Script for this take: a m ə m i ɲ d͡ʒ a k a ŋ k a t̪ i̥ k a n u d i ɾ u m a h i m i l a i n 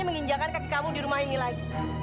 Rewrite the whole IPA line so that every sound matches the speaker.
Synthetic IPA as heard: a m ə ŋ i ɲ d͡ʒ a k a n k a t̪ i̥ k a m u d i ɾ u m a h i n i l a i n

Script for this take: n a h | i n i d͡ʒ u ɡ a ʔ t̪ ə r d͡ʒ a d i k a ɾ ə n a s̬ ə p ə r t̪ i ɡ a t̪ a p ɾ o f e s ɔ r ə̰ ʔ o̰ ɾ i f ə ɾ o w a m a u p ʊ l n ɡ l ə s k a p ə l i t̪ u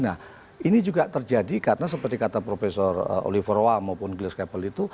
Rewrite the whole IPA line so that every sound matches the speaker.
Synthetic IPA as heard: n a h | i n i d͡ʒ u ɡ a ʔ t̪ ə r d͡ʒ a d i k a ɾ ə n a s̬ ə p ə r t̪ i k a t̪ a p ɾ o f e s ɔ r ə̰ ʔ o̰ l i f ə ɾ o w a m a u p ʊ n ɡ l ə s k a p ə l i t̪ u

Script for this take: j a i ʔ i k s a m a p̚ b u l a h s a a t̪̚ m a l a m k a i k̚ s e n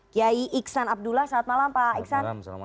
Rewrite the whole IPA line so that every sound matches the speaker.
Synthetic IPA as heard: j a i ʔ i k s a n a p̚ d u l a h s a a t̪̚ m a l a m p a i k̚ s a n

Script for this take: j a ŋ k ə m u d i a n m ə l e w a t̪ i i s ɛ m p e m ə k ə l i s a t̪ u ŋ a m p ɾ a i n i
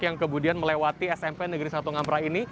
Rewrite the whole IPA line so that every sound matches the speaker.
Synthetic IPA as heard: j a ŋ k ə m u d i a n m ə l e w a t̪ i ɛ s ɛ m p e n ə ɡ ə ɾ i s a t̪ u ŋ a m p ɾ a i n i

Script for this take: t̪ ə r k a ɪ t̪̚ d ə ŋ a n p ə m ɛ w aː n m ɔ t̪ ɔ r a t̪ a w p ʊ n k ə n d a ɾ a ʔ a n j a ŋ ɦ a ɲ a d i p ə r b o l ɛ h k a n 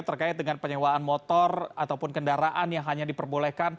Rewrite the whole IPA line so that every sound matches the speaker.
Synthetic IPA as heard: t̪ ə r k a ɪ t̪̚ d ə ŋ a n p ə ɲ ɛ w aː n m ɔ t̪ ɔ r a t̪ a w p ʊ n k ə n d a ɾ a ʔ a n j a ŋ ɦ a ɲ a d i p ə r b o l ɛ h k a n

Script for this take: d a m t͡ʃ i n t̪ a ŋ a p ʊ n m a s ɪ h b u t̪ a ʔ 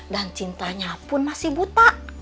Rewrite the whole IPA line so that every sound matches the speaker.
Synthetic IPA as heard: d a n t͡ʃ i n t̪ a ɲ a p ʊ n m a s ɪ h b u t̪ a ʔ

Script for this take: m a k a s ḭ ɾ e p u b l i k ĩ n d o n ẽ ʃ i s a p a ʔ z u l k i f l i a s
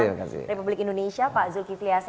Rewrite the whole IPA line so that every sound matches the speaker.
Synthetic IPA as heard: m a k a s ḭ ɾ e p u b l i k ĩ n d o n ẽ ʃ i a p a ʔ z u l k i f l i a s

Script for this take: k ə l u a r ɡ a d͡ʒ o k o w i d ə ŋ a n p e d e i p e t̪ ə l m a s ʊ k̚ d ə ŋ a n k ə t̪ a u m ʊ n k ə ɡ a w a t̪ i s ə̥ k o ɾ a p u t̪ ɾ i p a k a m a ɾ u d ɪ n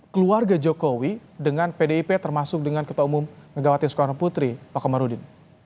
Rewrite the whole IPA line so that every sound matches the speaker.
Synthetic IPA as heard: k ə l u a r ɡ a d͡ʒ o k o w i d ə ŋ a n p e d e i p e t̪ ə r m a s ʊ k̚ d ə ŋ a n k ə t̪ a u m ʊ m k ə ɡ a w a t̪ i s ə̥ k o ɾ a p u t̪ ɾ i p a k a m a ɾ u d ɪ n

